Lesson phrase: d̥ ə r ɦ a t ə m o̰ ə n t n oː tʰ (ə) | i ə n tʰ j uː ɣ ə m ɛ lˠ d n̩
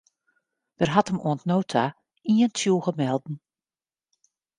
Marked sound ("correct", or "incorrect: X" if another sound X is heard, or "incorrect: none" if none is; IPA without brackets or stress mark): incorrect: a